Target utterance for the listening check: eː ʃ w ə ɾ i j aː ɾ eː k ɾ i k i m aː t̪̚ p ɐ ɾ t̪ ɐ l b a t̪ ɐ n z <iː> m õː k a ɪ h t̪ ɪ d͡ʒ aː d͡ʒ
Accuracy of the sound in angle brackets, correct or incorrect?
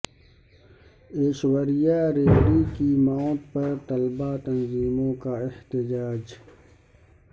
correct